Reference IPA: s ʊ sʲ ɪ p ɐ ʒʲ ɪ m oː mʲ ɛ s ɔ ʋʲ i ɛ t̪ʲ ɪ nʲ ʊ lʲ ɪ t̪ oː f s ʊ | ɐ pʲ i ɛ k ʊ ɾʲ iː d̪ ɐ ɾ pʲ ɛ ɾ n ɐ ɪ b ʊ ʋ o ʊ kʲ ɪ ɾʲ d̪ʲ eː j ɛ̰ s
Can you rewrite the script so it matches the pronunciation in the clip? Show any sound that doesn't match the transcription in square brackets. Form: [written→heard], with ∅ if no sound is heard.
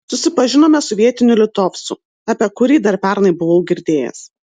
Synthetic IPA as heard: s ʊ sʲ ɪ p ɐ ʒʲ ɪ [m→n] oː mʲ ɛ s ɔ ʋʲ i ɛ t̪ʲ ɪ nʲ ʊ lʲ ɪ t̪ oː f s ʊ | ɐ pʲ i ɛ k ʊ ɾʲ iː d̪ ɐ ɾ pʲ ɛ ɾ n ɐ ɪ b ʊ ʋ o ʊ [kʲ→ɡʲ] ɪ ɾʲ d̪ʲ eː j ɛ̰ s